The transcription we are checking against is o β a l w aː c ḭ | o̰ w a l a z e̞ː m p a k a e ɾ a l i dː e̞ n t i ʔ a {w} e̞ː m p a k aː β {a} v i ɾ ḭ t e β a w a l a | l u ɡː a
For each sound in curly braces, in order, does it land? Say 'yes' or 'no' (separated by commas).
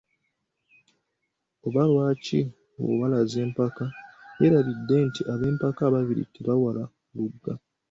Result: no, yes